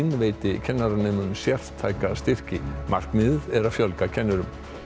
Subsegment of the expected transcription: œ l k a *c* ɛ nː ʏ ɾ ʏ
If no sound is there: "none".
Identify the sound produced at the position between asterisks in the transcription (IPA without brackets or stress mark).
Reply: cʰ